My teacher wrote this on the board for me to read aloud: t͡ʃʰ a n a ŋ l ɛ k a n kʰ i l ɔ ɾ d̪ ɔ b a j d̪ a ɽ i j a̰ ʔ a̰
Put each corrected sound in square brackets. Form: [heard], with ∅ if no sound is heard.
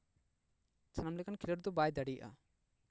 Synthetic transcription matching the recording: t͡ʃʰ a n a [m] l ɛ k a n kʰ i l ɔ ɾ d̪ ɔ b a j d̪ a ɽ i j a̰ ʔ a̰